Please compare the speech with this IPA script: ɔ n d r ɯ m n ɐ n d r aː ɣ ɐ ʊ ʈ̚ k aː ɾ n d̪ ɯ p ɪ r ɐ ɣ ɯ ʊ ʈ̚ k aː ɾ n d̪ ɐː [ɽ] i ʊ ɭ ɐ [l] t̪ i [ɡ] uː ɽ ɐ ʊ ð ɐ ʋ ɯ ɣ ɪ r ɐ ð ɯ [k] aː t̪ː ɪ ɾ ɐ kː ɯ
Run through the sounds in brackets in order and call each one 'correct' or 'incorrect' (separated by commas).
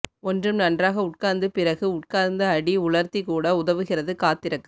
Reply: correct, incorrect, incorrect, correct